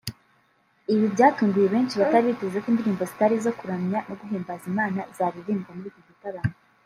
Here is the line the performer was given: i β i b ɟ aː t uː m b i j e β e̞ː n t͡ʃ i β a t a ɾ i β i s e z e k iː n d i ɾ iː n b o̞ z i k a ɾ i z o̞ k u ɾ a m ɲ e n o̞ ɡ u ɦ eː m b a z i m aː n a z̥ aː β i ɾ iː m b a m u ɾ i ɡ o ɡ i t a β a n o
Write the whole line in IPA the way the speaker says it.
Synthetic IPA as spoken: i β i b ɟ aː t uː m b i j e β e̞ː n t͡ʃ i β a t a ɾ i β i t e z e k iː n d i ɾ iː m b o̞ z i t a ɾ i z o̞ k u ɾ a m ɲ a n o̞ ɡ u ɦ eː m b a z i m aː n a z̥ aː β i ɾ iː m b a m u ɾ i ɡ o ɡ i t a β a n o